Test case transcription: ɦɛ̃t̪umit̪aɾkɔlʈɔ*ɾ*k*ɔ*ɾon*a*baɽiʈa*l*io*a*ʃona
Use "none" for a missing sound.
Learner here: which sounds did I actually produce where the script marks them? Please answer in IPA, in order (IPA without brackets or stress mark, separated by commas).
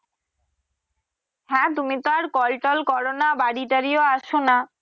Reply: l, ɔ, a, ɾ, a